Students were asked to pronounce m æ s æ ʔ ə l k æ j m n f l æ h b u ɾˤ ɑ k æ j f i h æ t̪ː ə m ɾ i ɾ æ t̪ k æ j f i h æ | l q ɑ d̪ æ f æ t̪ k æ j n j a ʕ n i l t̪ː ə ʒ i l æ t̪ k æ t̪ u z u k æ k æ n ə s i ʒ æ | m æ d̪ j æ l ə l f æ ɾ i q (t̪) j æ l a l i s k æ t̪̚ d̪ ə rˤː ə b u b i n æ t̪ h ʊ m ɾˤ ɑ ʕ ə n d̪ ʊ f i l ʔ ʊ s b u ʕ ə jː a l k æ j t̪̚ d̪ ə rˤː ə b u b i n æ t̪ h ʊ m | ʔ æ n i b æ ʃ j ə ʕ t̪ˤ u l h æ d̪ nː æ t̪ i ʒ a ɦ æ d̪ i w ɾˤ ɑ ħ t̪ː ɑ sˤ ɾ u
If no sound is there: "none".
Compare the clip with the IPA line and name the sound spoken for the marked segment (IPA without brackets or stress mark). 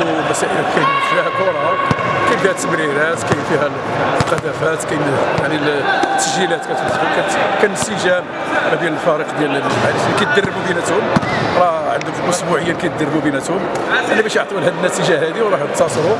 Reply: d̪